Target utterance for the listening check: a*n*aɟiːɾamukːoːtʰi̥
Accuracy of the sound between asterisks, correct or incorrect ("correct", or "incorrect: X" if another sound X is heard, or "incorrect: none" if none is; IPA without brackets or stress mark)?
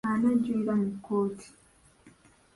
correct